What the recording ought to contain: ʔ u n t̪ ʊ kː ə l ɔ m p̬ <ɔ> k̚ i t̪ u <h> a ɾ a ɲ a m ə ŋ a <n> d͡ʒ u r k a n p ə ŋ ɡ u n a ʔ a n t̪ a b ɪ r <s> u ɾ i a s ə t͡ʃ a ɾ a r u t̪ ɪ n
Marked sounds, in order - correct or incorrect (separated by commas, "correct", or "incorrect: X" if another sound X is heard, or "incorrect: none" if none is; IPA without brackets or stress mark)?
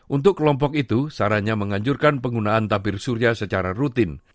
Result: correct, incorrect: s, incorrect: ɲ, correct